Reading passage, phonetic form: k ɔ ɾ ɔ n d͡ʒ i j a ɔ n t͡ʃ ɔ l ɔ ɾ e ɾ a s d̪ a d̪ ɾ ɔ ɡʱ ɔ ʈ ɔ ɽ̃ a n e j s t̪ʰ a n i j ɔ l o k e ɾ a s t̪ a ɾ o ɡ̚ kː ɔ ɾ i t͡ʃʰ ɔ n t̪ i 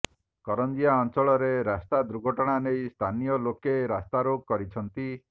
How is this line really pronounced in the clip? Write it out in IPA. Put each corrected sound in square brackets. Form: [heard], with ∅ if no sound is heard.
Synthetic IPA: k ɔ ɾ ɔ n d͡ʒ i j a ɔ n t͡ʃ ɔ [ɭ] ɔ ɾ e ɾ a s [t̪] a d̪ ɾ [u] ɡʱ ɔ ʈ ɔ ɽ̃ a n e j s t̪ʰ a n i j ɔ l o k e ɾ a s t̪ a ɾ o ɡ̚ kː ɔ ɾ i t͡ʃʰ ɔ n t̪ i

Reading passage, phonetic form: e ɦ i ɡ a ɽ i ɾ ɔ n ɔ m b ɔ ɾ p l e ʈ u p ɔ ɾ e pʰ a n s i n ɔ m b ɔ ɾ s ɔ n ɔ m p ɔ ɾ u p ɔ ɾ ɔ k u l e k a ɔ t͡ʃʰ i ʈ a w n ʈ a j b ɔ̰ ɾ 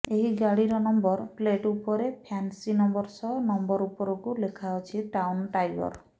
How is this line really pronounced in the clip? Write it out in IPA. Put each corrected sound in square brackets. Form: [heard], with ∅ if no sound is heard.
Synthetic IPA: e ɦ i ɡ a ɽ i ɾ ɔ n ɔ m b ɔ ɾ p l e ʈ u p ɔ ɾ e pʰ a n s i n ɔ m b ɔ ɾ s ɔ n ɔ m [b] ɔ ɾ u p ɔ ɾ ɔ k u l e [kʰ] a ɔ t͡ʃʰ i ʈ a w n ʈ a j b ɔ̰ ɾ

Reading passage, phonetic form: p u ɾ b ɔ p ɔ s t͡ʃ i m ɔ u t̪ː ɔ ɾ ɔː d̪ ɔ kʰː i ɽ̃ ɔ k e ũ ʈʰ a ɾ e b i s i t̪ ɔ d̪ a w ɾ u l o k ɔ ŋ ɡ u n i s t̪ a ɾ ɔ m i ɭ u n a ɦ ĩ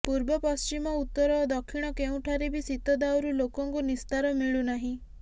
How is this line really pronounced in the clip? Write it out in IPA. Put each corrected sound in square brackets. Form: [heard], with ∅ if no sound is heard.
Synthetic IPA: p u ɾ b ɔ p ɔ s t͡ʃ i m ɔ u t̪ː ɔ ɾ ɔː d̪ ɔ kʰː i ɽ̃ ɔ k e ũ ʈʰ a ɾ e b i s i t̪ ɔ d̪ a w ɾ u l o k ɔ ŋ [k] u n i s t̪ a ɾ ɔ m i ɭ u n a ɦ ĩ

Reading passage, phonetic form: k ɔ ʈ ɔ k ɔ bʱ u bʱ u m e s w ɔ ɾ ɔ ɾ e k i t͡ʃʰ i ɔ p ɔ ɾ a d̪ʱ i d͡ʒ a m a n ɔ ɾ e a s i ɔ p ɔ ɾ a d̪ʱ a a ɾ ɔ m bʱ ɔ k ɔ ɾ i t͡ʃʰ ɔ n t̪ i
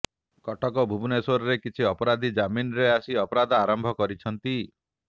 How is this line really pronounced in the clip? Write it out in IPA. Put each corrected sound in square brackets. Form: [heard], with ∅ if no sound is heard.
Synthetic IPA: k ɔ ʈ ɔ k ɔ bʱ u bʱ u [n] e s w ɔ ɾ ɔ ɾ e k i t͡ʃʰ i ɔ p ɔ ɾ a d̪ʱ i d͡ʒ a m [i] n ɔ ɾ e a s i ɔ p ɔ ɾ a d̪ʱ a a ɾ ɔ m bʱ ɔ k ɔ ɾ i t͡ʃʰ ɔ n t̪ i

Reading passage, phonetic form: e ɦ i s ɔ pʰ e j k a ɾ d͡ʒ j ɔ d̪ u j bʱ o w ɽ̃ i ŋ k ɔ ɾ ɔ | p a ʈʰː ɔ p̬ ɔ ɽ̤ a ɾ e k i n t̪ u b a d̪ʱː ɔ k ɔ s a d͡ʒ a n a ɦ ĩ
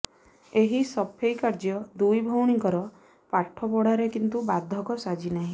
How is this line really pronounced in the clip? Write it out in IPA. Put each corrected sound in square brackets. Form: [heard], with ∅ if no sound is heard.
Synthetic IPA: e ɦ i s ɔ pʰ e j k a ɾ d͡ʒ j ɔ d̪ u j bʱ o w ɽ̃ i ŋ k ɔ ɾ ɔ | p a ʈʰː ɔ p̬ ɔ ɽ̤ a ɾ e k i n t̪ u b a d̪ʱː ɔ k ɔ s a d͡ʒ [i] n a ɦ ĩ

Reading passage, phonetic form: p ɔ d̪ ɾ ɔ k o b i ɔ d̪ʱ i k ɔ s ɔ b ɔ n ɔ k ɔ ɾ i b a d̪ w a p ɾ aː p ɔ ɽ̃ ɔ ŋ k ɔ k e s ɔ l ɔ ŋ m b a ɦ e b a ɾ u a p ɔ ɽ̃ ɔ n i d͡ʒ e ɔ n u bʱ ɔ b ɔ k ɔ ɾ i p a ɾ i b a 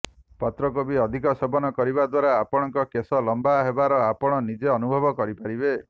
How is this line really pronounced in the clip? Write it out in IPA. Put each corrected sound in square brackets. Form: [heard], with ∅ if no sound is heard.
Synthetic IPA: p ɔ [t̪] ɾ ɔ k o b i ɔ d̪ʱ i k ɔ s ɔ b ɔ n ɔ k ɔ ɾ i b a d̪ w a [∅] ɾ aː p ɔ ɽ̃ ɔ ŋ k ɔ k e s ɔ l ɔ [∅] m b a ɦ e b a ɾ [ɔ] a p ɔ ɽ̃ ɔ n i d͡ʒ e ɔ n u bʱ ɔ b ɔ k ɔ ɾ i p a ɾ i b [e]

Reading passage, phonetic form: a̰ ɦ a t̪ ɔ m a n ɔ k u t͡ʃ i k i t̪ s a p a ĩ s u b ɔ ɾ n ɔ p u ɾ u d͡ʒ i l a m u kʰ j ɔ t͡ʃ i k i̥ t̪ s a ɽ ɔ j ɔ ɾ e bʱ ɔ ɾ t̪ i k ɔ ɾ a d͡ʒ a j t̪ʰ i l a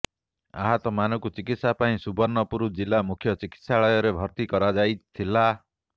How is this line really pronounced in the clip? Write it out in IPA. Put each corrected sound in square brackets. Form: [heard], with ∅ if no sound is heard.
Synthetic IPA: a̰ ɦ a t̪ ɔ m a n ɔ k u t͡ʃ i k i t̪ s a p a ĩ s u b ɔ ɾ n ɔ p u ɾ u d͡ʒ i l a m u kʰ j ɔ t͡ʃ i k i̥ t̪ s a [ɭ] ɔ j ɔ ɾ e bʱ ɔ ɾ t̪ i k ɔ ɾ a d͡ʒ a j t̪ʰ i l a

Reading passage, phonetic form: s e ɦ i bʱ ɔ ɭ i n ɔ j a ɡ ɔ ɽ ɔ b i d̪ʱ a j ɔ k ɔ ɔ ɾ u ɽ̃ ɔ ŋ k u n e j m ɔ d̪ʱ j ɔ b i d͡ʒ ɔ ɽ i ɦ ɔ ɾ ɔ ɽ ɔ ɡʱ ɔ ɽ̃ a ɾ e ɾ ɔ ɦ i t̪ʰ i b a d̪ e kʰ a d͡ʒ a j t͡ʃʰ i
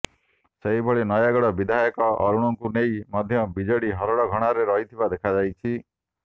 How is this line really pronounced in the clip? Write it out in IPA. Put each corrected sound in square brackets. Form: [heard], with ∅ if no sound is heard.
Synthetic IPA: s e ɦ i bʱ ɔ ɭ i n ɔ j a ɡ ɔ ɽ ɔ b i d̪ʱ a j ɔ k ɔ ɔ ɾ u ɽ̃ ɔ ŋ k u n e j m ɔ d̪ʱ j ɔ b i d͡ʒ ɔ ɽ i ɦ ɔ ɾ ɔ ɽ ɔ ɡʱ ɔ ɽ̃ a ɾ e ɾ ɔ ɦ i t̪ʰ i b a d̪ e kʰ a d͡ʒ a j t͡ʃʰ i

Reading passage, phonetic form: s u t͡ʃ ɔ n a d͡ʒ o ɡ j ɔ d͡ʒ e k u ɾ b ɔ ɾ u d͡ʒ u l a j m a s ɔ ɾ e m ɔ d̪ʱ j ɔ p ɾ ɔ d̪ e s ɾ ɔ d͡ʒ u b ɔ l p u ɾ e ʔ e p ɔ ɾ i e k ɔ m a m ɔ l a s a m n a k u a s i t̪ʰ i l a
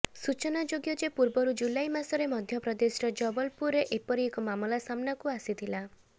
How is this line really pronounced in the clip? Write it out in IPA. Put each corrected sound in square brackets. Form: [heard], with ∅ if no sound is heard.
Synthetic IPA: s u t͡ʃ ɔ n a d͡ʒ o ɡ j ɔ d͡ʒ e [p] u ɾ b ɔ ɾ u d͡ʒ u l a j m a s ɔ ɾ e m ɔ d̪ʱ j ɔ p ɾ ɔ d̪ e s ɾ ɔ d͡ʒ [ɔ] b ɔ l p u ɾ e ʔ e p ɔ ɾ i e k ɔ m a m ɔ l a s a m n a k u a s i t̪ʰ i l a

